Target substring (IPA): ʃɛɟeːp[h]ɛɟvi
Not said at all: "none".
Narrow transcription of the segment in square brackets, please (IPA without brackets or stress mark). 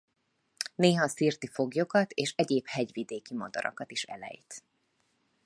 h